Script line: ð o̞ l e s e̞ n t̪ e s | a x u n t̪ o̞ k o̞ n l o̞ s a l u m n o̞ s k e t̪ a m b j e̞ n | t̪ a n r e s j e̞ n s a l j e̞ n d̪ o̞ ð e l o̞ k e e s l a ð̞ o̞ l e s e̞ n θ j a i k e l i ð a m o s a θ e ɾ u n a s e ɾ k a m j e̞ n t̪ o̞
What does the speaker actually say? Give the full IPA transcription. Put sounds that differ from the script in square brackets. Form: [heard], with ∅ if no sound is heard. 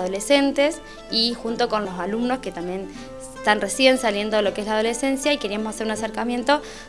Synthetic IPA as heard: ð o̞ l e s e̞ n t̪ e s | [i] x u n t̪ o̞ k o̞ n l o̞ s a l u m n o̞ s k e t̪ a m b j e̞ n | t̪ a n r e s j e̞ n s a l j e̞ n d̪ o̞ ð e l o̞ k e e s l a ð̞ o̞ l e s e̞ n [s] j a i k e [ɾ] i [∅] a m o s a [s] e ɾ u n a s e ɾ k a m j e̞ n t̪ o̞